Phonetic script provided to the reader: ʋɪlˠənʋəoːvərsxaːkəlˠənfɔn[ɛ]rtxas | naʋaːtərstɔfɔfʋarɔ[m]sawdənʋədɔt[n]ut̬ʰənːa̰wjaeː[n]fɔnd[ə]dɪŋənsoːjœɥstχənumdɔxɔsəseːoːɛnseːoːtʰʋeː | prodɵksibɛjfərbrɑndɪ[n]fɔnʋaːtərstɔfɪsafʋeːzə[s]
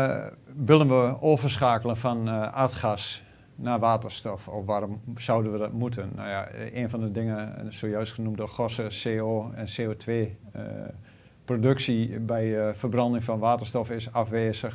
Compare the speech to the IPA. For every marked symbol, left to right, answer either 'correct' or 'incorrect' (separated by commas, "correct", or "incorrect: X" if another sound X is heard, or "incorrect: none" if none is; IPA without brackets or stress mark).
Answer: incorrect: a, correct, incorrect: m, correct, correct, incorrect: ŋ, incorrect: x